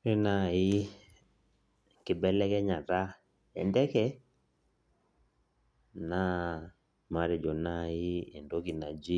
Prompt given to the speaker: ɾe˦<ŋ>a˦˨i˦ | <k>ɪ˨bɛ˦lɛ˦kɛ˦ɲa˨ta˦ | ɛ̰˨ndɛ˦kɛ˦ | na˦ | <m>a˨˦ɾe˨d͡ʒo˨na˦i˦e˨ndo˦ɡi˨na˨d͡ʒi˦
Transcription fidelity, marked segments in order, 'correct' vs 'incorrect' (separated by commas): incorrect, correct, correct